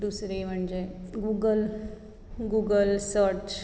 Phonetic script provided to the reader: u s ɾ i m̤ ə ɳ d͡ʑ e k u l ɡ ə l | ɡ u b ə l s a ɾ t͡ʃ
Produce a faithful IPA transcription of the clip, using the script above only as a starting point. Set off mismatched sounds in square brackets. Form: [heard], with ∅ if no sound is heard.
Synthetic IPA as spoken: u s ɾ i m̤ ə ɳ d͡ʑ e [ɡ] u [∅] ɡ ə l | ɡ u [ɡ] ə l s [ə] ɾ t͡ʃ